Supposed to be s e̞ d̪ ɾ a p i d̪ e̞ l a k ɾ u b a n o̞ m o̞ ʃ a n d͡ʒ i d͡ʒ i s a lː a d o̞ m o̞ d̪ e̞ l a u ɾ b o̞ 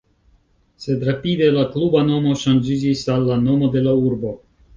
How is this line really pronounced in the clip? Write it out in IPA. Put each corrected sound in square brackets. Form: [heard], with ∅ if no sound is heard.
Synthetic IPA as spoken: s e̞ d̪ ɾ a p i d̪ e̞ l a k [l] u b a n o̞ m o̞ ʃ a n d͡ʒ i d͡ʒ i s a lː a [n] o̞ m o̞ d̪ e̞ l a u ɾ b o̞

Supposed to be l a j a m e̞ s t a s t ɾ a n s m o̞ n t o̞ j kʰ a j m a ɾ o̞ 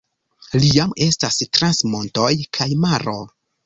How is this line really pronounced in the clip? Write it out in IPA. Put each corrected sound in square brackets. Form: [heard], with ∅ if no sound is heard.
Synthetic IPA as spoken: l [i] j a m e̞ s t a s t ɾ a n s m o̞ n t o̞ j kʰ a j m a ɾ o̞

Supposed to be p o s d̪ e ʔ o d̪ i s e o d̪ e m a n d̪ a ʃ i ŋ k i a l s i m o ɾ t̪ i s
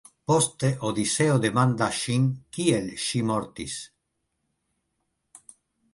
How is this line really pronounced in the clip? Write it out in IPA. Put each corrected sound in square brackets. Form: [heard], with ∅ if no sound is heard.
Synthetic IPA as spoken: p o s [t̪] e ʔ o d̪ i s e o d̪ e m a n d̪ a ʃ i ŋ k i [e] l [ʃ] i m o ɾ t̪ i s

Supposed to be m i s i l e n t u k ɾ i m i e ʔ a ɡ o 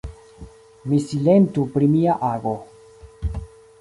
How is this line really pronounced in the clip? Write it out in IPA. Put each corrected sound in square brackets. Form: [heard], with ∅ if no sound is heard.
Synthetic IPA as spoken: m i s i l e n t u [p] ɾ i m i [a] ʔ a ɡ o

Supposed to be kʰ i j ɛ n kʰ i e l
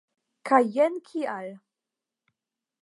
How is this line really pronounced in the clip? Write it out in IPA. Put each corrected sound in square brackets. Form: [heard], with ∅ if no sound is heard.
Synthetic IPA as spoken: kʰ [a] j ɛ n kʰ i [a] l

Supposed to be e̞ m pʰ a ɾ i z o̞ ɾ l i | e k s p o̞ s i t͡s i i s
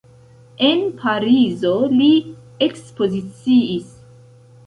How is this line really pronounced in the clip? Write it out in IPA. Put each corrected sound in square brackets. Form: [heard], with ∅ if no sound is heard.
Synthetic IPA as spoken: e̞ [n] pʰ a ɾ i z o̞ [∅] l i | e k s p o̞ [z] i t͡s i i s

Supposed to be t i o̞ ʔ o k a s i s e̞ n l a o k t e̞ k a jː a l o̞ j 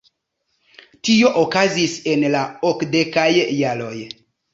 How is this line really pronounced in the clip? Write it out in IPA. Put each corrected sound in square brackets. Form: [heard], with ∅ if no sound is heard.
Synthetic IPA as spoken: t i o̞ ʔ o k a [z] i s e̞ n l a o k [d] e̞ k a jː a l o̞ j

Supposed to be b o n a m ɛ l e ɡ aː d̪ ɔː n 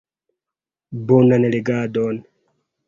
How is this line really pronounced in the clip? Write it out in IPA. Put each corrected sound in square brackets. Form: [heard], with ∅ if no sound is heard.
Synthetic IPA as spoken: b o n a [n] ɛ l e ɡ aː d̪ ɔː n

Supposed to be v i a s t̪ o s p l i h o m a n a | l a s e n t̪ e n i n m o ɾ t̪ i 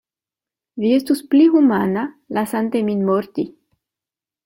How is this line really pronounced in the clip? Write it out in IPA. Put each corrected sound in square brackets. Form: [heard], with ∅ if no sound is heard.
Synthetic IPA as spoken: v i [e] s t̪ [u] s p l i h [u] m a n a | l a s [a] n t̪ e [m] i n m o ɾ t̪ i

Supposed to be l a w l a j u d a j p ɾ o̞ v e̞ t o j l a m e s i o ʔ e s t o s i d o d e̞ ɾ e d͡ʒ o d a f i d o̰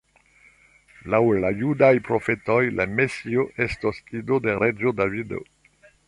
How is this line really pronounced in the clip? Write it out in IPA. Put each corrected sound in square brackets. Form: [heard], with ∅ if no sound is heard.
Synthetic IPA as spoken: l a w l a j u d a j p ɾ o̞ [f] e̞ t o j l a m e s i o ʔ e s t o s i d o d e̞ ɾ e d͡ʒ o d a [v] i d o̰

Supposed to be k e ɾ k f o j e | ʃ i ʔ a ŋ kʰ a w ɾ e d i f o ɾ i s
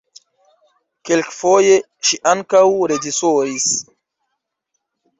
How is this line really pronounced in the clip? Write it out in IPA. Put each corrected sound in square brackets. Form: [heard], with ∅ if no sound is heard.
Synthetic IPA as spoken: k e [l] k f o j e | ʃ i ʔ a ŋ [k] a w ɾ e [d͡ʒ] i [s] o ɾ i s

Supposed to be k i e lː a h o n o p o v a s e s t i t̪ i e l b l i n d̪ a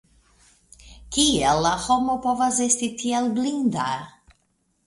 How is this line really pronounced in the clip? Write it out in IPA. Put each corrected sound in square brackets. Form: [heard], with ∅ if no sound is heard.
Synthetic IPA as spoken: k i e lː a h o [m] o p o v a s e s t i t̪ i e l b l i n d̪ a

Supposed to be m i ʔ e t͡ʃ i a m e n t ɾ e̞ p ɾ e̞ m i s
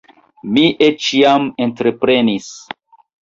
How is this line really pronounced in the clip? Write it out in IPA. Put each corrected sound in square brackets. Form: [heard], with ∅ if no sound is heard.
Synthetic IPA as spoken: m i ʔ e t͡ʃ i a m e n t ɾ e̞ p ɾ e̞ [n] i s

